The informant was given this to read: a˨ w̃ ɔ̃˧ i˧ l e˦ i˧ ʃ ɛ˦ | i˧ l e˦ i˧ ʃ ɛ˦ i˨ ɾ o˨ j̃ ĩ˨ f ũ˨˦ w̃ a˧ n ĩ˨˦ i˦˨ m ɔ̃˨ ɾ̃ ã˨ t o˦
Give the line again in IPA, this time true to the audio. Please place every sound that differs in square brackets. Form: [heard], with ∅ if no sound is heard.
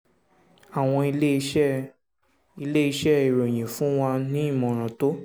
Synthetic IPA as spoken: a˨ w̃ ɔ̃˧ i˧ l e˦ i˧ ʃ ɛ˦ | i˧ l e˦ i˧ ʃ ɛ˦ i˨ ɾ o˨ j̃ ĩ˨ f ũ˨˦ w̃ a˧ n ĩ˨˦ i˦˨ m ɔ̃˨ ɾ̃ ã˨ t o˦